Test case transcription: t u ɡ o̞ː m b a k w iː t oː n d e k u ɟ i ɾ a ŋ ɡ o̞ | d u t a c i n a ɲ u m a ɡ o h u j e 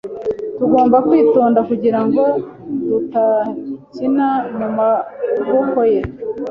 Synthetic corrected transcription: t u ɡ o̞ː m b a k w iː t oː n d a k u ɟ i ɾ a ŋ ɡ o̞ | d u t a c i n a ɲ u m a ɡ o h o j e

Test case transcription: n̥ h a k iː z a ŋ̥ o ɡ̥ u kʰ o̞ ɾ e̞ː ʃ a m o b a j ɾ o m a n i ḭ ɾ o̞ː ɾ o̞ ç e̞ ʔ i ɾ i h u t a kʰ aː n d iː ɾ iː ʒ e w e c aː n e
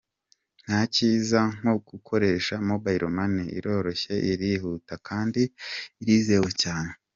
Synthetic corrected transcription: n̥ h a c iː z a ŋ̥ o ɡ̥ u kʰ o̞ ɾ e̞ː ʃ a m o b a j ɾ o m a n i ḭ ɾ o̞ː ɾ o̞ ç e̞ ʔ i ɾ i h u t a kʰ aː n d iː ɾ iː z e w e c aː n e

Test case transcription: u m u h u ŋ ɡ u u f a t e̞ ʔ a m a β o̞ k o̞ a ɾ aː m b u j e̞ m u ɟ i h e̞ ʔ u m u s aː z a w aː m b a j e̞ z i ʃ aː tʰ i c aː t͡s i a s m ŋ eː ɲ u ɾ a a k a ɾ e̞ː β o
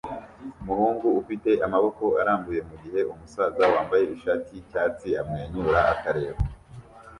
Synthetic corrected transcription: u m u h uː ŋ ɡ u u f i t e̞ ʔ a m a β o̞ k o̞ a ɾ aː m b u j e̞ m u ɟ i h e̞ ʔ u m u s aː z a w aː m b a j e̞ i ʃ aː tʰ i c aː t͡s i a m ŋ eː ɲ u ɾ a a k a ɾ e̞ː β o

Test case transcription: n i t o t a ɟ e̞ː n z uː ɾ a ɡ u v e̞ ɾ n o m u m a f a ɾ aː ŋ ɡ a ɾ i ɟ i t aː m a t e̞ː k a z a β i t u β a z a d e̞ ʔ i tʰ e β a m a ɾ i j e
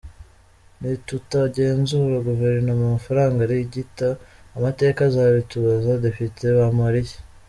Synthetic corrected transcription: n i t u t a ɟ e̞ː n z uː ɾ a ɡ u v e̞ ɾ n o m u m a f a ɾ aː ŋ ɡ a ɾ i ɟ i t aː m a t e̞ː k a z a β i t u β a z a d e̞ p i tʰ e β a m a ɾ i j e

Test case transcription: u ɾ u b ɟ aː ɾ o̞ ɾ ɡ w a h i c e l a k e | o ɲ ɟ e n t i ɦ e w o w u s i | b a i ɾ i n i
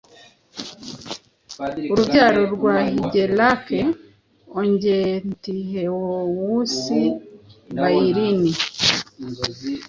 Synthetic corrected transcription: u ɾ u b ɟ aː ɾ o̞ ɾ ɡ w a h i ɟ e l a k e | o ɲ ɟ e n t i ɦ e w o w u s i | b a i ɾ i n i

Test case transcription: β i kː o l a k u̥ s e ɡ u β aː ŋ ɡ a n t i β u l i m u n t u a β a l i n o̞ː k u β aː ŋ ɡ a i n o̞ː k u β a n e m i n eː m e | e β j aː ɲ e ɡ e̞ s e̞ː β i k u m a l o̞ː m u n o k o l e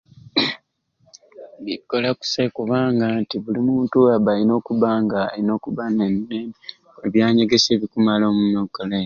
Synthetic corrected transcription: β i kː o l a k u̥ s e k u β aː ŋ ɡ a n t i β u l i m uː n t u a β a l i n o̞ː k u β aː ŋ ɡ a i n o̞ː k u β a n e m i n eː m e | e β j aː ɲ e ɡ e̞ s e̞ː β i k u m a l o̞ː m u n o k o l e

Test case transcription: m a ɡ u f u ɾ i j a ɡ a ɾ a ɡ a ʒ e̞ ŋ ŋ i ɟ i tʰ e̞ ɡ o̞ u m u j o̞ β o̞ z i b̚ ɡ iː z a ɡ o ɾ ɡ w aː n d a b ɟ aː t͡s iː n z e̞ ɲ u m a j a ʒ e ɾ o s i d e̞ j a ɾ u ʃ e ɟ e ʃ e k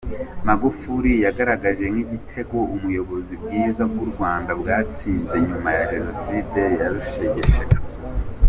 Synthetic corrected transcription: m a ɡ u f u ɾ i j a ɡ a ɾ a ɡ a ʒ e̞ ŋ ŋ i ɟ i tʰ e̞ ɡ o̞ u m u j o̞ β o̞ z i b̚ ɡ iː z a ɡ u ɾ ɡ w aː n d a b ɡ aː t͡s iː n z e̞ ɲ u m a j a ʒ e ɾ o s i d e̞ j a ɾ u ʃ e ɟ e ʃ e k

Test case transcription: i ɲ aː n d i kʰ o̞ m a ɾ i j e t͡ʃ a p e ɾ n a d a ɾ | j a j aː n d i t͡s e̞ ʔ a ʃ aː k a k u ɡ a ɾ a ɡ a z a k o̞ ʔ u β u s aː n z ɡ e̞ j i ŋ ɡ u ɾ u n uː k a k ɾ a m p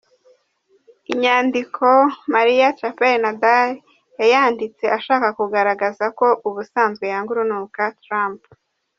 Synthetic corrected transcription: i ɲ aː n d i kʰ o̞ m a ɾ i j a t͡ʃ a p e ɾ n a d a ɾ | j a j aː n d i t͡s e̞ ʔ a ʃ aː k a k u ɡ a ɾ a ɡ a z a k o̞ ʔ u β u s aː n z ɡ e̞ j a ŋ ɡ u ɾ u n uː k a t ɾ a m p

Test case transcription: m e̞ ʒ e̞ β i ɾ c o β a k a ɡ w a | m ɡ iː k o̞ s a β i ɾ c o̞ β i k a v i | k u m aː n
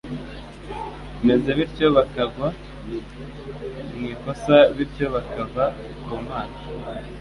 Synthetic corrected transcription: m e̞ z e̞ β i ɾ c o β a k a ɡ w a | m ŋ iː k o̞ s a β i ɾ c o̞ β a k a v a | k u m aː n

